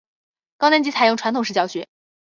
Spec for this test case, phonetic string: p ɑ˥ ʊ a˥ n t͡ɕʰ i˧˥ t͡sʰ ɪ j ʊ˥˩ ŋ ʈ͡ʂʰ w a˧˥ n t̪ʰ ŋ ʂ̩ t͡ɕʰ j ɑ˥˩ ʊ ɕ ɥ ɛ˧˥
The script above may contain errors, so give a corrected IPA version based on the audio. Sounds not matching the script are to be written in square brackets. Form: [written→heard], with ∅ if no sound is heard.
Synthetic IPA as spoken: [p→k] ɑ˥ ʊ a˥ n [t͡ɕʰ→t͡ɕ] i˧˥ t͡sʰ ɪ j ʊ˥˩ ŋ ʈ͡ʂʰ w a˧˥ n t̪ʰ ŋ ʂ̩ [t͡ɕʰ→t͡ɕ] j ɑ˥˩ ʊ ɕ ɥ ɛ˧˥